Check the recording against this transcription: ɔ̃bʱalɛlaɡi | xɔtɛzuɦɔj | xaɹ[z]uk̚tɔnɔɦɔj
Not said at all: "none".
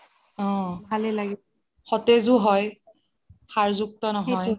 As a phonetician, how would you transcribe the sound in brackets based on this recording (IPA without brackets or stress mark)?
z